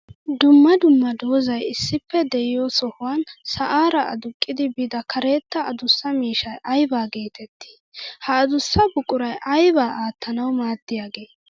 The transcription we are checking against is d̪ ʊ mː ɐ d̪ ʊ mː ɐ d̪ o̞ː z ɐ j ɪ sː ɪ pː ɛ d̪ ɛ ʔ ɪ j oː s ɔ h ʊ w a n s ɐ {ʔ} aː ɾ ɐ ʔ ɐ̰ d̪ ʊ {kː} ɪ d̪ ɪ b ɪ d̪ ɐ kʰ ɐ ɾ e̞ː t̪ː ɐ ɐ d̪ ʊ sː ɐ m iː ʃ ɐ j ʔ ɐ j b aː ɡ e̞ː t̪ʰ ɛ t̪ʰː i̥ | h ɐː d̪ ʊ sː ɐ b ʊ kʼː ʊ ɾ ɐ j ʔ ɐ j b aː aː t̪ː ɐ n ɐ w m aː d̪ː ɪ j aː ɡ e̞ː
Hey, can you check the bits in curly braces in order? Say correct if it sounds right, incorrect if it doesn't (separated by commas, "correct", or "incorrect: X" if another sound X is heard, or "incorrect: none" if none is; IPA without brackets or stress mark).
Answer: correct, incorrect: kʼː